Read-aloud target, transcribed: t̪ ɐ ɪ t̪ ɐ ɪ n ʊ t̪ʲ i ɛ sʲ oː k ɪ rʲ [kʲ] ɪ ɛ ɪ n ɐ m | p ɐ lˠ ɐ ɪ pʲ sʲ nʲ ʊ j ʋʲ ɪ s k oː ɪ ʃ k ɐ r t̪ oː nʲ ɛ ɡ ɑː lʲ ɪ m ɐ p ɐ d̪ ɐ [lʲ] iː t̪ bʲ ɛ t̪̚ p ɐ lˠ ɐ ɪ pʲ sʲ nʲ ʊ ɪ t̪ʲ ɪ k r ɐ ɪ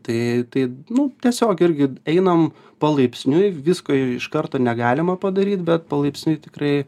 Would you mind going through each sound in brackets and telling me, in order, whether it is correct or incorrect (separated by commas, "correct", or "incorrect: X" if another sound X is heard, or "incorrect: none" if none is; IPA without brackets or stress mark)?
incorrect: ɡʲ, incorrect: ɾʲ